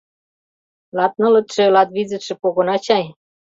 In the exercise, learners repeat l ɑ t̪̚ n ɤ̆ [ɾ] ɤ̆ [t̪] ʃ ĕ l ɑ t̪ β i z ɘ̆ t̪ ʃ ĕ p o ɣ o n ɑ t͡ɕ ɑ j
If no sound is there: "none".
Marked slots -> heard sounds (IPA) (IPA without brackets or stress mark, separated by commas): l, t̪